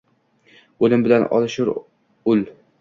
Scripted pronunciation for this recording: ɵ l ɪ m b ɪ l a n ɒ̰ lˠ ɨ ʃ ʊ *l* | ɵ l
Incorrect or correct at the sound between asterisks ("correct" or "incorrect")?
incorrect